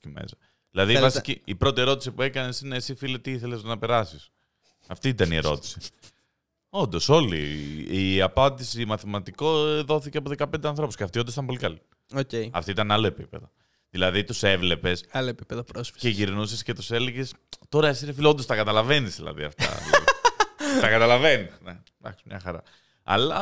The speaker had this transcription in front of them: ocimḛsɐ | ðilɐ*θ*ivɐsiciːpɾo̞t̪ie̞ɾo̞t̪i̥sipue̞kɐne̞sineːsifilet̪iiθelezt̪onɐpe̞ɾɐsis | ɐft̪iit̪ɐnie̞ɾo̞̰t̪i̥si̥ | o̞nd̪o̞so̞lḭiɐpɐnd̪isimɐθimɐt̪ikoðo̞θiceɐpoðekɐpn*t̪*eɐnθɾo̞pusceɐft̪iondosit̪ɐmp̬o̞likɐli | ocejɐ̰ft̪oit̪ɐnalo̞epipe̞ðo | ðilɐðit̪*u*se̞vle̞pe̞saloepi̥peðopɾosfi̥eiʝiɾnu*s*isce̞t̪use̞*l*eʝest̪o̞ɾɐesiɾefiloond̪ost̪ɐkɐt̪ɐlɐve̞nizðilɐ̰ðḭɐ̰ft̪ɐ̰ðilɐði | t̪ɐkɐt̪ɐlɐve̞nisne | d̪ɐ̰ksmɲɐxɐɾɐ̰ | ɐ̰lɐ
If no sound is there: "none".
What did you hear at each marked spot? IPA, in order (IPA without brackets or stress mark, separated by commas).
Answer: ð, d̪, u, s, l